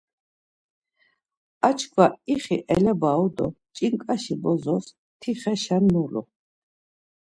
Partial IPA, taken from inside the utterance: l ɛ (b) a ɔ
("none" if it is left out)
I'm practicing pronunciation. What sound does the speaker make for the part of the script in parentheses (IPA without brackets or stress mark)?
b